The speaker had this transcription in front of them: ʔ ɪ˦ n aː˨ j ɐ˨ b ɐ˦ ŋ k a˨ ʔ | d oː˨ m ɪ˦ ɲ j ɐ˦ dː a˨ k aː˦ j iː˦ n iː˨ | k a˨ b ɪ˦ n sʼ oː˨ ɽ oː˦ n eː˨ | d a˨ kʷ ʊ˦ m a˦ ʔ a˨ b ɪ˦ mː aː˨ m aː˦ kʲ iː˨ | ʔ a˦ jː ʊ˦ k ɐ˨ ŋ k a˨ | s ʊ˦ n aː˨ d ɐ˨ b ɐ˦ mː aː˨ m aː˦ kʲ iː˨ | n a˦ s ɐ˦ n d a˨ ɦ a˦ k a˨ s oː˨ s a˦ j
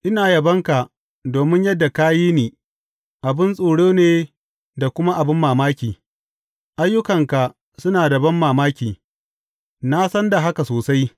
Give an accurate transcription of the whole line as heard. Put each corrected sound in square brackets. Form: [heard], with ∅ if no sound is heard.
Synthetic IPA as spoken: ʔ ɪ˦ n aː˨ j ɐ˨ b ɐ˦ ŋ k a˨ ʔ | d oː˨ m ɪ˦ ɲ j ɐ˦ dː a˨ k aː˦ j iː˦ n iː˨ | [ʔ] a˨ b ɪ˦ n sʼ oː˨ ɽ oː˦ n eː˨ | d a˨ kʷ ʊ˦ m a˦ ʔ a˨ b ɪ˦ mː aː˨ m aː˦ kʲ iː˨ | ʔ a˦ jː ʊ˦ k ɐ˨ ŋ k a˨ | s ʊ˦ n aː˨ d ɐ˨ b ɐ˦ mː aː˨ m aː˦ kʲ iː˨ | n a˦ s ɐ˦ n d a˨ ɦ a˦ k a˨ s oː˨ s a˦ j